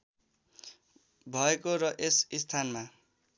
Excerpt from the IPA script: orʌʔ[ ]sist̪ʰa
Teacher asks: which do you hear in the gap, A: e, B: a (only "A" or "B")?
A